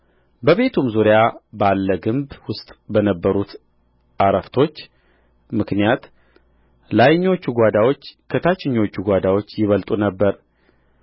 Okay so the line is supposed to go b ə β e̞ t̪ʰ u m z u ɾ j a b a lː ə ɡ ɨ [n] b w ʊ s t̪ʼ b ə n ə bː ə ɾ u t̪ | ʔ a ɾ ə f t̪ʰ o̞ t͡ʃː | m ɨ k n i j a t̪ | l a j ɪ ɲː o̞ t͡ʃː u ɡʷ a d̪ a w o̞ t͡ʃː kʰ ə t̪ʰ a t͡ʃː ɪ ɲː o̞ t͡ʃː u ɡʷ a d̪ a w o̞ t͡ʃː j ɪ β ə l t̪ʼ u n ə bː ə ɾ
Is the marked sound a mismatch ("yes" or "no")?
yes